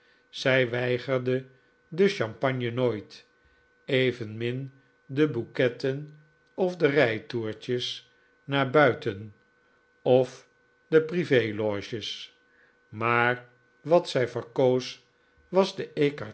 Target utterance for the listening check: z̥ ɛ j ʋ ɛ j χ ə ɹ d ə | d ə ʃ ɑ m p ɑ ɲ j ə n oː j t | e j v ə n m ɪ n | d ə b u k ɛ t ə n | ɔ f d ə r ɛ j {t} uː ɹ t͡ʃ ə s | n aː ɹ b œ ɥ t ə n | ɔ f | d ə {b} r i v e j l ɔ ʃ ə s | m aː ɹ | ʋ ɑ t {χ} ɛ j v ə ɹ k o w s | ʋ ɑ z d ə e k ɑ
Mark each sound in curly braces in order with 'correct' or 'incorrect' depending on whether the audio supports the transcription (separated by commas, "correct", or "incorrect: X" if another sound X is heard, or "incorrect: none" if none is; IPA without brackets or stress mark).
correct, incorrect: p, incorrect: s